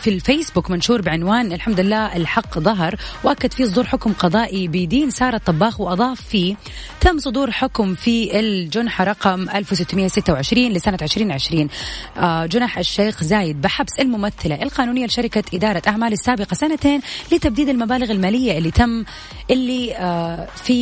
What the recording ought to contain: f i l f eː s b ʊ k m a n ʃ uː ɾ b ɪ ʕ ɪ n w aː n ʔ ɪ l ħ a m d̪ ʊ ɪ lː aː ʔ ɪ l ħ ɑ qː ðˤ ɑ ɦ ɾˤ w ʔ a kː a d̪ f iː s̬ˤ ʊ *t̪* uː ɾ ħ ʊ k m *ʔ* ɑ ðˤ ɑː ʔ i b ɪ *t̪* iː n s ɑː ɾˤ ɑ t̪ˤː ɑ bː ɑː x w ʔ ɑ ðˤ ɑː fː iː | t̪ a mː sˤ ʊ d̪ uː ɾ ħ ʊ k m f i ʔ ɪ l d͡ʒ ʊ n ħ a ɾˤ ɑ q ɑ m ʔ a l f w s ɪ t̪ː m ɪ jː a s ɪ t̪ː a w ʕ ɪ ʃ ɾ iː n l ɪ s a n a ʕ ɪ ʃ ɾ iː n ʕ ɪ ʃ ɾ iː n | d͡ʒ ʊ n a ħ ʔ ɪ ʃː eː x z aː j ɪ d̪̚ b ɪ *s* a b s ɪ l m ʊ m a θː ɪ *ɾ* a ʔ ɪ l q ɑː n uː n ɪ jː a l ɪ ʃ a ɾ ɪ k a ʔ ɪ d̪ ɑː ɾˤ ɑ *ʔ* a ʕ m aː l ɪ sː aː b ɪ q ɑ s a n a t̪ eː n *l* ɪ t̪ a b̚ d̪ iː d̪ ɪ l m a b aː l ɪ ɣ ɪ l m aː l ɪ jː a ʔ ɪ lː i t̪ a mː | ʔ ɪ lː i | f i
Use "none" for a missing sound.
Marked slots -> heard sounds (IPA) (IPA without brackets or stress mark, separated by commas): d̪, q, d̪, ħ, l, ʔ, l